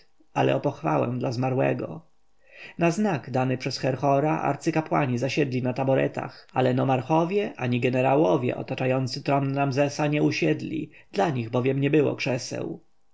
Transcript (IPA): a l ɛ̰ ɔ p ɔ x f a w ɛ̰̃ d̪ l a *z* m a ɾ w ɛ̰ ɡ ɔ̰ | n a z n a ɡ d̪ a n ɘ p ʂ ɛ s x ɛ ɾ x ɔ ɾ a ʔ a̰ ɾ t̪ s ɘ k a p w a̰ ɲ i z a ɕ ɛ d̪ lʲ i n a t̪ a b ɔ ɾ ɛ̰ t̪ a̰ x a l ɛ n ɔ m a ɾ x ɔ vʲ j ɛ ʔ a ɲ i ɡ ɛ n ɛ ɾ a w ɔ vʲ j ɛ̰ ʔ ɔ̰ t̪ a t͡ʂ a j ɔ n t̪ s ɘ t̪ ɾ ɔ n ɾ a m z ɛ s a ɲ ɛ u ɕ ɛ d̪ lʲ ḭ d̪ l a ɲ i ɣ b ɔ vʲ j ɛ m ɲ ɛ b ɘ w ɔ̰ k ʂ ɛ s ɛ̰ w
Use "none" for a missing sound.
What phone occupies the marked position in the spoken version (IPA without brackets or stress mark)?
z